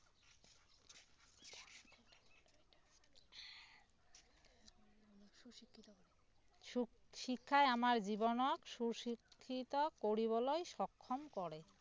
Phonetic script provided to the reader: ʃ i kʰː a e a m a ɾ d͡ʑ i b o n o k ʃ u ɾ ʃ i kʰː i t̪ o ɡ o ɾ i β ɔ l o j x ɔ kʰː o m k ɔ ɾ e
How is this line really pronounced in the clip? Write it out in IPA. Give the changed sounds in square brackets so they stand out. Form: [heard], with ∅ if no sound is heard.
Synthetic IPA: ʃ i kʰː a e a m a ɾ d͡ʑ i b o n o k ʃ u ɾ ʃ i kʰː i t̪ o [k] o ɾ i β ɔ l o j [ʃ] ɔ kʰː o m k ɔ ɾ e